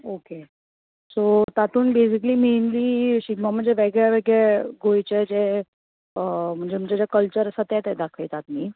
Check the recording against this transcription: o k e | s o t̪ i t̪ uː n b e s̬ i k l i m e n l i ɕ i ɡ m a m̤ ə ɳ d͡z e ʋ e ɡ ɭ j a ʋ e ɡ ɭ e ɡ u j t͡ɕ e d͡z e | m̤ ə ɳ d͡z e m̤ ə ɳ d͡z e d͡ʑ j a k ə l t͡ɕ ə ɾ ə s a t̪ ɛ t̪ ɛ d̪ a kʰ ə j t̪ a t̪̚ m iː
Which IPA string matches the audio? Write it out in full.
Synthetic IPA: o k e | s o t̪ a t̪ uː n b e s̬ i k l i m e n l i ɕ i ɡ m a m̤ ə ɳ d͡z e ʋ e ɡ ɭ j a ʋ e ɡ ɭ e ɡ o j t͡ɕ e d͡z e | m̤ ə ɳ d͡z e m̤ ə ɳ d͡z e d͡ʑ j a k ə l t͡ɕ ə ɾ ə s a t̪ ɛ t̪ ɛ d̪ a kʰ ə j t̪ a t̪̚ m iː